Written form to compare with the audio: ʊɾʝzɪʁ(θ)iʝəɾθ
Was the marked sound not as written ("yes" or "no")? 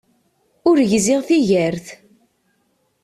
no